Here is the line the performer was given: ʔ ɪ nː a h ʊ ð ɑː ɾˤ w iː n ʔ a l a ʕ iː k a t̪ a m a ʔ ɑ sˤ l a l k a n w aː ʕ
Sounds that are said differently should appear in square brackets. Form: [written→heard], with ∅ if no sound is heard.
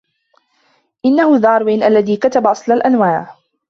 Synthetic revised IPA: ʔ ɪ nː a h ʊ ð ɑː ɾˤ w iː n ʔ a [l→lː] a [ʕ→ð] iː k a t̪ a [m→b] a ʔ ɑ sˤ l a l [k→ʔ] a n w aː ʕ